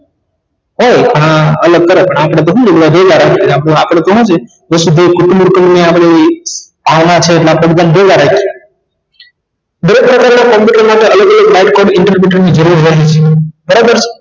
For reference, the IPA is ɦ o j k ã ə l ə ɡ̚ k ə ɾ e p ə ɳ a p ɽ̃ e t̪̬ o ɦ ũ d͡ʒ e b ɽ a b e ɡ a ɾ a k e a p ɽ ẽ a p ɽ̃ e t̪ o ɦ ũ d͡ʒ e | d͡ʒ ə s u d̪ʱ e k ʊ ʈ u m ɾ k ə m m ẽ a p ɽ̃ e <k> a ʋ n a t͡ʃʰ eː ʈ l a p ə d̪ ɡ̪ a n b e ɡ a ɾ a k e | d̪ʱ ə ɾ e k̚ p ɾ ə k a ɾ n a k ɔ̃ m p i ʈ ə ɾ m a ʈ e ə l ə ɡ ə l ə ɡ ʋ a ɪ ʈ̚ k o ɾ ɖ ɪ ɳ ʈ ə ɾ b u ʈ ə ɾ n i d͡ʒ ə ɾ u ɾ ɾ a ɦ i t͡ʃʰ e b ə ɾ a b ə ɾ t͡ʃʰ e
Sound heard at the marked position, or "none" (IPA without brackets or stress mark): p